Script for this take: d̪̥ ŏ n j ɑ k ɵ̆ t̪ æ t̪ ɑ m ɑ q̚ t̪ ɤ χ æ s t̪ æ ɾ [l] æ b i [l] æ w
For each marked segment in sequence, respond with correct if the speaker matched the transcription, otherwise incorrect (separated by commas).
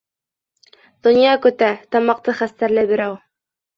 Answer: correct, incorrect